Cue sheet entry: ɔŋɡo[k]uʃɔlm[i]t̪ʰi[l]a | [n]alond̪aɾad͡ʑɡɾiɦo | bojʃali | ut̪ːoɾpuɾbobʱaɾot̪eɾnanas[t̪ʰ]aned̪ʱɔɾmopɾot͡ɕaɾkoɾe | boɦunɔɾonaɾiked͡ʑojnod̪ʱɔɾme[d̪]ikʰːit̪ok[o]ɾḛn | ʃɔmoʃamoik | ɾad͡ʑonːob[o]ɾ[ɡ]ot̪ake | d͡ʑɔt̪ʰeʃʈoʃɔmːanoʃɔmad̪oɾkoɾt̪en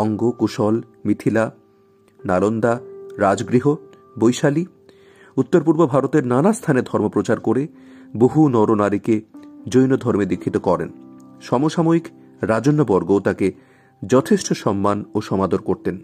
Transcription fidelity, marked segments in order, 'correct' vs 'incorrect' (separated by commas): correct, correct, correct, correct, correct, correct, incorrect, incorrect, correct